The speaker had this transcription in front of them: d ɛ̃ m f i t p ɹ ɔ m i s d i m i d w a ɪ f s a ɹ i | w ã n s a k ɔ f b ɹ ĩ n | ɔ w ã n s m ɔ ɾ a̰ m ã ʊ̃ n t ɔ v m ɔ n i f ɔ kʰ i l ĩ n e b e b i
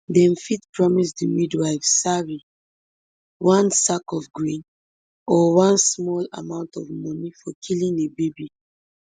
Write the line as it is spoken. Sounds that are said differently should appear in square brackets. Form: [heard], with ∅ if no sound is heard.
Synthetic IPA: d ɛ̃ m f i t p ɹ ɔ m i s d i m i d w a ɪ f s a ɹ i | w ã n s a k ɔ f [ɡ] ɹ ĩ n | ɔ w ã n s m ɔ [l] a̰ m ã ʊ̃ n t ɔ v m ɔ n i f ɔ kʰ i l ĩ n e b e b i